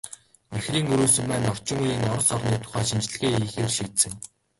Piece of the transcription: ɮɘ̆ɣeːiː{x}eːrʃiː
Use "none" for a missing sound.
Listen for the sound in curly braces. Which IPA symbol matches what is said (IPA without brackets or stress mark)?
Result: x